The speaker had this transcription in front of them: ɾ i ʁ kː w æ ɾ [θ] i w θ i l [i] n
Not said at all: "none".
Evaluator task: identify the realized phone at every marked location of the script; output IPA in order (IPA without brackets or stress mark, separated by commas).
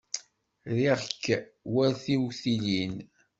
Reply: θ, i